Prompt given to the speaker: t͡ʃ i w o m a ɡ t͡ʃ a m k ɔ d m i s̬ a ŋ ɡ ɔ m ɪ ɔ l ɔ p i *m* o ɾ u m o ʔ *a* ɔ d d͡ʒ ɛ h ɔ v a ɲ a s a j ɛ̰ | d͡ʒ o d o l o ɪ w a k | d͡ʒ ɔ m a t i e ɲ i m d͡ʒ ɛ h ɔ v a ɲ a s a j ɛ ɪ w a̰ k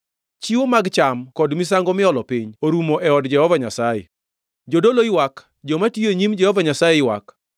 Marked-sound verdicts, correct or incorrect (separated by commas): incorrect, incorrect